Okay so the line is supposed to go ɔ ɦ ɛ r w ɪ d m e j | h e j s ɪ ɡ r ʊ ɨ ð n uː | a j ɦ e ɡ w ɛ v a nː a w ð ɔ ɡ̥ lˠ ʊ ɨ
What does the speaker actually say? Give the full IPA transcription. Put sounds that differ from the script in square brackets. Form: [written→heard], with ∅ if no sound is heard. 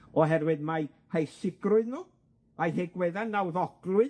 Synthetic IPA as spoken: ɔ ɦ ɛ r w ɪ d m [e→a] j | h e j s ɪ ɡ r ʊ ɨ ð n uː | a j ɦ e ɡ w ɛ [v→ð] a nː a w ð ɔ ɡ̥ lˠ ʊ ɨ